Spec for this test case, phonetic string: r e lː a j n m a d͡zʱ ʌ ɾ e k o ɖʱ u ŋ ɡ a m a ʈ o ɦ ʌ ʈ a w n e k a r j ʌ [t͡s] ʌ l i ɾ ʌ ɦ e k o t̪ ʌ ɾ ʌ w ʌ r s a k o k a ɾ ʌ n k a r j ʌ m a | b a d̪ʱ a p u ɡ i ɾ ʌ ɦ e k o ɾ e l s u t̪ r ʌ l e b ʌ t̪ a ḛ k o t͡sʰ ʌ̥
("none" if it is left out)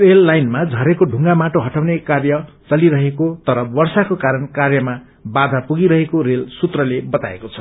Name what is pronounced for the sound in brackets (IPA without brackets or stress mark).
t͡s